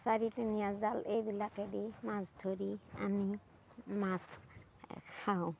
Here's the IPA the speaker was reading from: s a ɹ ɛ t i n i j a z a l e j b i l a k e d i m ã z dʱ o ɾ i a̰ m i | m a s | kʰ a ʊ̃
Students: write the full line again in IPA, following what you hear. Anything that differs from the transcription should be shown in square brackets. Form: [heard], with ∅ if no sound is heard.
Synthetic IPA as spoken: s a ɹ [i] t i n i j a z a l e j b i l a k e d i m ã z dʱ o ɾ i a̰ m i | m a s | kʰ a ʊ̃